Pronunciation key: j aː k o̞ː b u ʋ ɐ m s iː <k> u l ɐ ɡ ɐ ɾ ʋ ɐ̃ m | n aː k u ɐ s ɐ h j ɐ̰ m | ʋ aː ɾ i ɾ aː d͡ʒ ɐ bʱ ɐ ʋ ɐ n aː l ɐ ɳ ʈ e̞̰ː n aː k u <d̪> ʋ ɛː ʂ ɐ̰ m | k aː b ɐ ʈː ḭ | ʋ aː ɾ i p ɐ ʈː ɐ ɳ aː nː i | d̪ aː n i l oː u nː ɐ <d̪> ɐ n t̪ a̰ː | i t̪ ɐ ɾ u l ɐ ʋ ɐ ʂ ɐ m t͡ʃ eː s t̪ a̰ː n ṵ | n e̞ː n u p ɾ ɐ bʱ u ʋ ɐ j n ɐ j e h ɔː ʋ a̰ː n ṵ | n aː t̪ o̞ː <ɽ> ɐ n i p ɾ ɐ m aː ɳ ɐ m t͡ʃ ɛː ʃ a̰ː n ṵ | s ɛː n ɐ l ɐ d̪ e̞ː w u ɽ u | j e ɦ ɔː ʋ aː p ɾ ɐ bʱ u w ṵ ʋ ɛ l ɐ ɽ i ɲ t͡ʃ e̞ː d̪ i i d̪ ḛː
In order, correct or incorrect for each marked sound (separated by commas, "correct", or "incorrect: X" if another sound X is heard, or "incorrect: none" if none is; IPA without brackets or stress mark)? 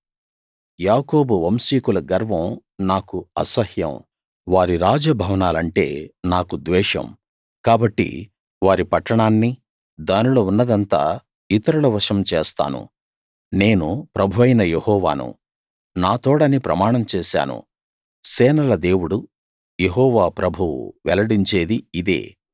correct, correct, correct, correct